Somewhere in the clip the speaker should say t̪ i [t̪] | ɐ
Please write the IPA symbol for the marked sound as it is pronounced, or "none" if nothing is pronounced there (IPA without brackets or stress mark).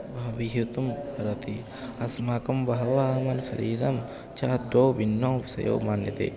none